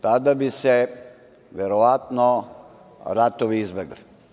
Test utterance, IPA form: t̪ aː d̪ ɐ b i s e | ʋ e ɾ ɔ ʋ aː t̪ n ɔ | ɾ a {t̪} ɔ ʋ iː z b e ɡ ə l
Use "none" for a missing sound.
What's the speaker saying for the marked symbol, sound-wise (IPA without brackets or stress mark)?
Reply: t̪